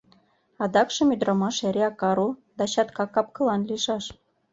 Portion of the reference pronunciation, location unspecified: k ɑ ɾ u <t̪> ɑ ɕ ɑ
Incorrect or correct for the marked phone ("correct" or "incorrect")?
incorrect